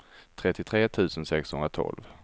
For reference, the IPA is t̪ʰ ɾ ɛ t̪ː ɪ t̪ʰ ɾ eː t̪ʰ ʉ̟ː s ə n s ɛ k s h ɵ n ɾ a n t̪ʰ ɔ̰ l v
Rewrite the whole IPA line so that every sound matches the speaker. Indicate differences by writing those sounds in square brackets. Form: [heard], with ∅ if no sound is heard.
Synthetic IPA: t̪ʰ ɾ ɛ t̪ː ɪ t̪ʰ ɾ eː t̪ʰ ʉ̟ː s ə n s ɛ k s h ɵ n ɾ a [∅] t̪ʰ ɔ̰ l v